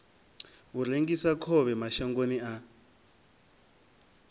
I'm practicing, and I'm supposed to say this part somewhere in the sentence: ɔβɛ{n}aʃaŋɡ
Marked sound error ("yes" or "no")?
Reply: yes